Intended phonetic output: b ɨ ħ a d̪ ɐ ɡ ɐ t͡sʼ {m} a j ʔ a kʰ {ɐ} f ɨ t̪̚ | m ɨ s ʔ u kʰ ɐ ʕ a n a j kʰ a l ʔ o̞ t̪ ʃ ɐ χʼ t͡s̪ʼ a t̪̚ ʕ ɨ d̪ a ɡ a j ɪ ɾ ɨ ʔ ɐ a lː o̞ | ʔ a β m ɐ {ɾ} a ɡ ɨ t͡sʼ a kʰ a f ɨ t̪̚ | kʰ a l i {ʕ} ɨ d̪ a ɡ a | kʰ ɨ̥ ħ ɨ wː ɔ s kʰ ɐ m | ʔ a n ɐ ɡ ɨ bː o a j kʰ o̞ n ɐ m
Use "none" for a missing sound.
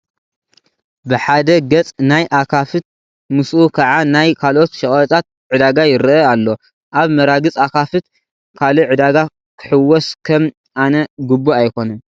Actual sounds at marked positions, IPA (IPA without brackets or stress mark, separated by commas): n, a, ɾ, ʕ